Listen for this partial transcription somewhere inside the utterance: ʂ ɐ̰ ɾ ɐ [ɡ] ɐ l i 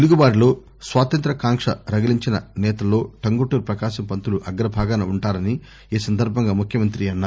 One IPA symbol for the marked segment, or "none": ɡ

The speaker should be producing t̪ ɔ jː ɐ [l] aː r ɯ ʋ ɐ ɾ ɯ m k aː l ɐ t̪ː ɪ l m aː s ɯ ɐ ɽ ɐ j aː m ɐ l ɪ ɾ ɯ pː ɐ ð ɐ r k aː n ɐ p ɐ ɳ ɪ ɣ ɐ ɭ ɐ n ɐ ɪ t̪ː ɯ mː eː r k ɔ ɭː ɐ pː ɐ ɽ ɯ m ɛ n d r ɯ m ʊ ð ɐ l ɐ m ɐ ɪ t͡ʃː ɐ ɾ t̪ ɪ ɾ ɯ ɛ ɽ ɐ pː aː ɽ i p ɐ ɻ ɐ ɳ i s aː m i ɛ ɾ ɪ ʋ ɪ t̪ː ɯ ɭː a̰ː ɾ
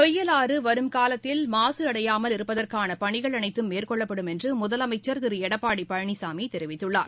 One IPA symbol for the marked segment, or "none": l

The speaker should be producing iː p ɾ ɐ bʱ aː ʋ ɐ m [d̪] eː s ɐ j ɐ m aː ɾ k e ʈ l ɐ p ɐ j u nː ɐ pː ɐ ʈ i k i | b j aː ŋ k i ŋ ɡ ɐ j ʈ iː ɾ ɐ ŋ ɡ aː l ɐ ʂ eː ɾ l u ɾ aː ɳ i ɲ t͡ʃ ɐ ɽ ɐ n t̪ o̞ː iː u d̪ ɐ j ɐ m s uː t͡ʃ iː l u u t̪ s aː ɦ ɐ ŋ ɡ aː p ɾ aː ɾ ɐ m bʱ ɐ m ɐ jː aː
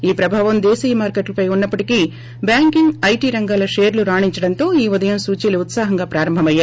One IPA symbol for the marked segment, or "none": d̪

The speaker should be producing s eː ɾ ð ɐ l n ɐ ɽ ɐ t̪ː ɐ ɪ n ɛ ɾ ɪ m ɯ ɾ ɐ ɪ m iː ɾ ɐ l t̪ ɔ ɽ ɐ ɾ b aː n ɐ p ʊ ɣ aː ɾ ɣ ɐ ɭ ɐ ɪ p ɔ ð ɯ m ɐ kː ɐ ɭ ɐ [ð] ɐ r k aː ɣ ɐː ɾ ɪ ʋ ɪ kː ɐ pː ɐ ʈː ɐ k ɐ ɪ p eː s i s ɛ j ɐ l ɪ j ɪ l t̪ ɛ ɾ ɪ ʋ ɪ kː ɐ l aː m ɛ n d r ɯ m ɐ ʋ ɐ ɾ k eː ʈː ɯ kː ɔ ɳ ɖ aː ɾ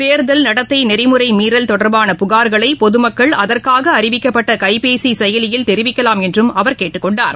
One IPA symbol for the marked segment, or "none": ð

